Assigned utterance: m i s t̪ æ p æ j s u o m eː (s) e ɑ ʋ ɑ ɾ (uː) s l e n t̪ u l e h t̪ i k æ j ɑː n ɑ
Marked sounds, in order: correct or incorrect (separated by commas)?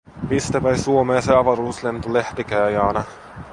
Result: correct, correct